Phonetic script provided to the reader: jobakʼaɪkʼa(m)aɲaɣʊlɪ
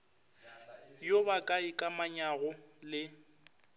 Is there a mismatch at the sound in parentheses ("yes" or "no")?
no